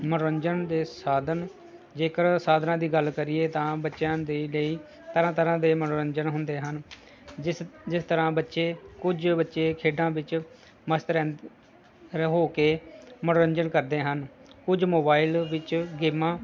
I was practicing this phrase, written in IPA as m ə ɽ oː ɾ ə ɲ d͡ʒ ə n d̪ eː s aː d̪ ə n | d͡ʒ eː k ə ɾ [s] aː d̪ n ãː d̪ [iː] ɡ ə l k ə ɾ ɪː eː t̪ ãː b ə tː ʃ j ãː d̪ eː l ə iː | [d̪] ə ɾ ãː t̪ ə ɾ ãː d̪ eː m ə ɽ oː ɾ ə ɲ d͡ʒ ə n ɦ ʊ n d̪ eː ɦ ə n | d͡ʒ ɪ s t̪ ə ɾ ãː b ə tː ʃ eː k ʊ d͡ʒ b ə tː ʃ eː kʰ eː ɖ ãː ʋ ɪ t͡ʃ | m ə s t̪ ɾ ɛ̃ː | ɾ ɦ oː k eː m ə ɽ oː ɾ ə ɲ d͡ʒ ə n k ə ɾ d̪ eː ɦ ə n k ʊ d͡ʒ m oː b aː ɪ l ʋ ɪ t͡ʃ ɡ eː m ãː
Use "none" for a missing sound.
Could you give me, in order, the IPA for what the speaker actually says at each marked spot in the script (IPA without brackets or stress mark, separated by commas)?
s, iː, t̪